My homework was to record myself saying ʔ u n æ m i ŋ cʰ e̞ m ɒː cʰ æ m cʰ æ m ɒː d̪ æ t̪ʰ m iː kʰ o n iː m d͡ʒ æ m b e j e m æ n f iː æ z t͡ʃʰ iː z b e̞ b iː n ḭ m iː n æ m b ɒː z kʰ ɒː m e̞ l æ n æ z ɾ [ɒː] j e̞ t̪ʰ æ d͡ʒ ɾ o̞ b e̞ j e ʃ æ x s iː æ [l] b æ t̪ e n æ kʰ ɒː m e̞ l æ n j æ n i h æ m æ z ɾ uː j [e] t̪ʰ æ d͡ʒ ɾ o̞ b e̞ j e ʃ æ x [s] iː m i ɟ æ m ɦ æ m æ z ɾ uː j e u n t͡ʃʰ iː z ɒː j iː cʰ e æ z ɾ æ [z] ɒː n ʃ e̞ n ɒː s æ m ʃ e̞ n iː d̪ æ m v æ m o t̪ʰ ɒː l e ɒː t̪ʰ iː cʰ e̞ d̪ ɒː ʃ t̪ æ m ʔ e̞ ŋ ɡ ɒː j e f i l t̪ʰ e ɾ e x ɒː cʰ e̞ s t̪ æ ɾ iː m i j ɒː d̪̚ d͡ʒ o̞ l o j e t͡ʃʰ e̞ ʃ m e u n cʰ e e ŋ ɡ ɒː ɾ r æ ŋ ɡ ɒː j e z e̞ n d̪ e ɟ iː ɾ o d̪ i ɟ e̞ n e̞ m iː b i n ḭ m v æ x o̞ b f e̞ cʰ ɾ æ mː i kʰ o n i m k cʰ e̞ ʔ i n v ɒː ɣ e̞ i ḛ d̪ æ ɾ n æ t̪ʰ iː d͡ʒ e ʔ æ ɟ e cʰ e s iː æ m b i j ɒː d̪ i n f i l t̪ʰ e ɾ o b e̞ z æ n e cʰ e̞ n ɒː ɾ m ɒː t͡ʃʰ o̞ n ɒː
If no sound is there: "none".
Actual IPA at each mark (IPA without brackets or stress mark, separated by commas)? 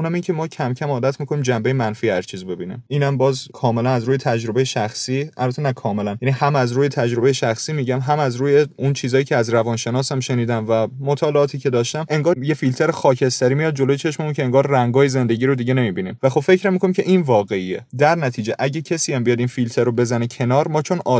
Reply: uː, l, e, s, v